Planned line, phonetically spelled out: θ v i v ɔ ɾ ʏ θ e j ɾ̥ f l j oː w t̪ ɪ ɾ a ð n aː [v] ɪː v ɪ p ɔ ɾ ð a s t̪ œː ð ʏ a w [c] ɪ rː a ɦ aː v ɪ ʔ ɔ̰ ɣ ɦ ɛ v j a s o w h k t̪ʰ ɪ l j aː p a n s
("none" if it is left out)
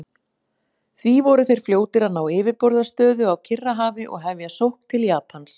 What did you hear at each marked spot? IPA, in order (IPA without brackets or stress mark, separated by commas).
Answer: w, cʰ